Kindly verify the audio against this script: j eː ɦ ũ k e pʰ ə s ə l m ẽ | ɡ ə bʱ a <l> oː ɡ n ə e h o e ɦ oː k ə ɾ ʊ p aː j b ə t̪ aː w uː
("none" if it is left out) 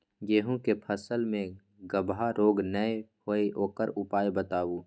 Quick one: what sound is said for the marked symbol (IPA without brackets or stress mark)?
ɾ